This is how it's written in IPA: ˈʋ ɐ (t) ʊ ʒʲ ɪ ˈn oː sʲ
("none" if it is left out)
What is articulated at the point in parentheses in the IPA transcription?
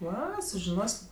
s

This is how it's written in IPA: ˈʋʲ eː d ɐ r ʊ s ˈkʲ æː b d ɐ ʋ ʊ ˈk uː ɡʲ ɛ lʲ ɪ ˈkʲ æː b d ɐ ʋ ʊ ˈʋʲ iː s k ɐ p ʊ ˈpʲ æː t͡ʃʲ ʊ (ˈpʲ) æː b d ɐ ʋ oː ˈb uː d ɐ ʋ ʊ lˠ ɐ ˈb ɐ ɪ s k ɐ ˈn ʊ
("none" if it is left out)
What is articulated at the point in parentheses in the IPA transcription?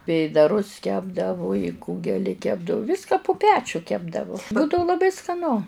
kʲ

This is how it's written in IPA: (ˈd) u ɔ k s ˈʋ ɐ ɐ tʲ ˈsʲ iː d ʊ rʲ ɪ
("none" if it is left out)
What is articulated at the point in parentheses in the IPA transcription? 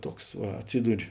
t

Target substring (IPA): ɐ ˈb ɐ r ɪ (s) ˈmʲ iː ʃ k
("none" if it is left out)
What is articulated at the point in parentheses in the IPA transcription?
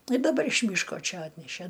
ʃ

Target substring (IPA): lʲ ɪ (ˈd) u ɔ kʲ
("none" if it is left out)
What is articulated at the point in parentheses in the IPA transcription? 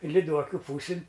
d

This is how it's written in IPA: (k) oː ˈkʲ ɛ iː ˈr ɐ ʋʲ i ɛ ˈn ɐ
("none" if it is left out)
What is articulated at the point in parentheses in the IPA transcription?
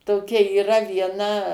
t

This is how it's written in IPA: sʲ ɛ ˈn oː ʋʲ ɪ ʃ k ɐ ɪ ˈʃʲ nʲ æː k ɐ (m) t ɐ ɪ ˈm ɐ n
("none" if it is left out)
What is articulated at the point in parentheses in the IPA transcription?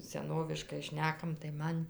m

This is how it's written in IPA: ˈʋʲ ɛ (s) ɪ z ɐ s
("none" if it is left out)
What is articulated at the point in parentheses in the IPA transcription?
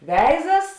none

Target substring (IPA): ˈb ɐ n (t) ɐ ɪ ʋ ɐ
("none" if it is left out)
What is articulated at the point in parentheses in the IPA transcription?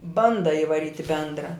d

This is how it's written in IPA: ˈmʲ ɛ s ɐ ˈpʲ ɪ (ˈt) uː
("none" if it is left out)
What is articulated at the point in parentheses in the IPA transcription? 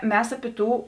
t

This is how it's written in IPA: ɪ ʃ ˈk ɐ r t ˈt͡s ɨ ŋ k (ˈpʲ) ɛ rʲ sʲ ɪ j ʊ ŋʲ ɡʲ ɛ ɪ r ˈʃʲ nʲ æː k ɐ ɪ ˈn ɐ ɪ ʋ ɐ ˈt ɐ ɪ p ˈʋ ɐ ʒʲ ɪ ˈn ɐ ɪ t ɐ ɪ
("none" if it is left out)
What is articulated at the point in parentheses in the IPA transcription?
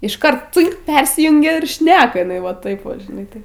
pʲ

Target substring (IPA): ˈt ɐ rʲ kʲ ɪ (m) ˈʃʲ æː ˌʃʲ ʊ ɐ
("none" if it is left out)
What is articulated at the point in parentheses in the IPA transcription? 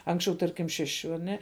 m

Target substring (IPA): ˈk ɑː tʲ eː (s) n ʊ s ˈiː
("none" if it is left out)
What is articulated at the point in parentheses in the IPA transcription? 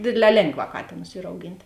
none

